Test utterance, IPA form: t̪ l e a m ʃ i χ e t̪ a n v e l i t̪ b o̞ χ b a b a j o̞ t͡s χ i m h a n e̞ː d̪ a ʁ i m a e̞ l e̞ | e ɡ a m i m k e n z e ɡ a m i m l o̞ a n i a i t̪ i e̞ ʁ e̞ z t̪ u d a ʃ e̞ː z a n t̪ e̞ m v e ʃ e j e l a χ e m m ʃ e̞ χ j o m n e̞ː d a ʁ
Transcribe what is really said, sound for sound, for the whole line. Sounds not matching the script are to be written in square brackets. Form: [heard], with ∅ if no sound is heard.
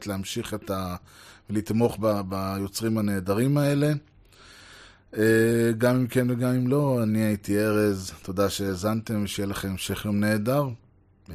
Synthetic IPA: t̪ l e a m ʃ i χ e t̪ a [∅] v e l i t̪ [m] o̞ χ b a b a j o̞ t͡s [ʁ] i m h a n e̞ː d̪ a ʁ i m a e̞ l e̞ | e ɡ a m i m k e n [v] e ɡ a m i m l o̞ a n i a i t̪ i e̞ ʁ e̞ z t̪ [o] d a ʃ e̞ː z a n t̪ e̞ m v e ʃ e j e l a χ e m m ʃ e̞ χ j o m n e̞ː d a ʁ